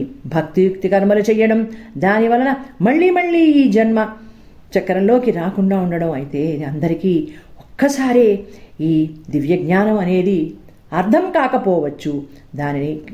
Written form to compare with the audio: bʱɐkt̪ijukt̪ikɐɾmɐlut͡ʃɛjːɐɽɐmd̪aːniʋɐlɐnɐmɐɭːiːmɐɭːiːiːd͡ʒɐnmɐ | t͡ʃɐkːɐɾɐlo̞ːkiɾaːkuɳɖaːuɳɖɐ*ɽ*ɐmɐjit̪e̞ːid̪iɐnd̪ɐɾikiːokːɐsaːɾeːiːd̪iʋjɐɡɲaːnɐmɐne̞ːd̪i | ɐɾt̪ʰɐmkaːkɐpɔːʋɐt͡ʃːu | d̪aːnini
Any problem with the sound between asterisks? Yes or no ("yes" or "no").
no